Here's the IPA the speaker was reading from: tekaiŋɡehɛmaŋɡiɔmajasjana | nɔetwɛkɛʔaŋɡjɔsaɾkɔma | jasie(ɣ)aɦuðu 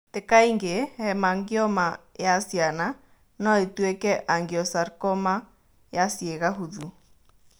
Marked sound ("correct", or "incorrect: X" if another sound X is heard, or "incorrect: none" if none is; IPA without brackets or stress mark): correct